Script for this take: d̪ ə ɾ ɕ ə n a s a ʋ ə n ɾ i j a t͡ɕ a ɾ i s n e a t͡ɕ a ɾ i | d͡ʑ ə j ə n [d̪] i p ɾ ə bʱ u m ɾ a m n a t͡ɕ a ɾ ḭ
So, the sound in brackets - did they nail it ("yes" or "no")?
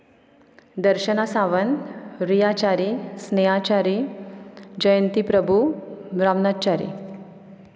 no